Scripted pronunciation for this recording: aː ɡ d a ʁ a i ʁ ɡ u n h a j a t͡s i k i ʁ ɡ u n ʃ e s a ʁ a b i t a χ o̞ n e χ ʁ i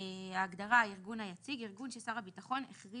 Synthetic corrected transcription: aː ɡ d a ʁ a i ʁ ɡ u n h a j a t͡s i ɡ i ʁ ɡ u n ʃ e s a ʁ a b i t a χ o̞ n e χ ʁ i